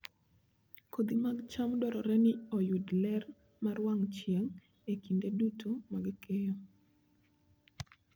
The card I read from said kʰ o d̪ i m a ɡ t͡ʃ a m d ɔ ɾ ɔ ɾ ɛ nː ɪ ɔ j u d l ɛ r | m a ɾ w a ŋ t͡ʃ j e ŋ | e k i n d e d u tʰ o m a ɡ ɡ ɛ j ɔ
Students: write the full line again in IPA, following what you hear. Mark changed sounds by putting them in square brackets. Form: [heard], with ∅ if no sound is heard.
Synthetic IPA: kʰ o d̪ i m a ɡ t͡ʃ a m d ɔ ɾ ɔ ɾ ɛ [n] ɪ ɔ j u d l ɛ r | m a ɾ w a ŋ t͡ʃ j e ŋ | e k i n d e d u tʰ o m a ɡ [k] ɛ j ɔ